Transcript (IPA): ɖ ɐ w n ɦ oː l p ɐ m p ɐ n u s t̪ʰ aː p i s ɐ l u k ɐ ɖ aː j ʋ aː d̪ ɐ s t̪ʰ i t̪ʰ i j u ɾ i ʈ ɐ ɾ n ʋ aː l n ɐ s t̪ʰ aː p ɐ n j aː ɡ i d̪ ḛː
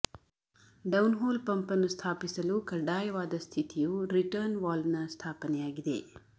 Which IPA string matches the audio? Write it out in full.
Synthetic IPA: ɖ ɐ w n ɦ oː l p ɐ m p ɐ n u s t̪ʰ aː p i s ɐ l u k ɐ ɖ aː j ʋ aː d̪ ɐ s t̪ʰ i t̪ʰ i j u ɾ i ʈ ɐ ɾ n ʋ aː l n ɐ s t̪ʰ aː p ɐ n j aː ɡ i d̪ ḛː